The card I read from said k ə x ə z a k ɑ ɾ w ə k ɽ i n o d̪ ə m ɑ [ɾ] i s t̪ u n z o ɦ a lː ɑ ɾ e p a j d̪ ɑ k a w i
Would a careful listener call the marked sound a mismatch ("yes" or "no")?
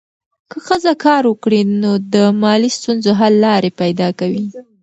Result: yes